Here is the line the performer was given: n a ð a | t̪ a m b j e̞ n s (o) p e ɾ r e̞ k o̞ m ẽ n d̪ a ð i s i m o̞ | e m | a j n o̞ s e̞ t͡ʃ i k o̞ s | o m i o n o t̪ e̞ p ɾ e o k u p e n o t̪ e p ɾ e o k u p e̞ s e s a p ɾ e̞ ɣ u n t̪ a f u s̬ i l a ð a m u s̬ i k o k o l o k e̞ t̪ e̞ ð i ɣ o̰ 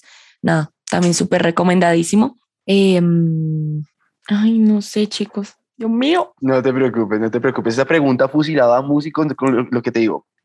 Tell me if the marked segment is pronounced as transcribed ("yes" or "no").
no